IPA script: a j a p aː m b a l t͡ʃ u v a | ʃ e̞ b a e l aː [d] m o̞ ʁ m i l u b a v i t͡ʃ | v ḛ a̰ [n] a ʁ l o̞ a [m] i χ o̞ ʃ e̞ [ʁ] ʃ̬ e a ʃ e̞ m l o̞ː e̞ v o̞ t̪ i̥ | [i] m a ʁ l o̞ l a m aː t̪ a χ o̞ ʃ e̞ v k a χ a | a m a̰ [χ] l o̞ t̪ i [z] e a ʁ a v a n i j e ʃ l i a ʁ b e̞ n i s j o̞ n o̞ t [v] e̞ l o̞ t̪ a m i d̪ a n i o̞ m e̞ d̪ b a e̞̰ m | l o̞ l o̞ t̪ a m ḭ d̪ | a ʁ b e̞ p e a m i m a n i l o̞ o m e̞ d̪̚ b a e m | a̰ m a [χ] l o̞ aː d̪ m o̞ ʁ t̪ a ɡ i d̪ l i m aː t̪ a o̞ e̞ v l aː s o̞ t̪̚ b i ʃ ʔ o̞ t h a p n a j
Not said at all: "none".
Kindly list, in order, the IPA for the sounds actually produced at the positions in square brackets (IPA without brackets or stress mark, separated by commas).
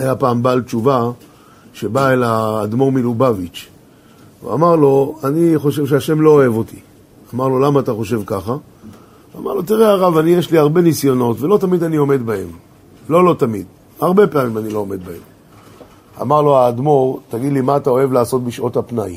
d, m, n, v, a, ʁ, ʁ, v, ʁ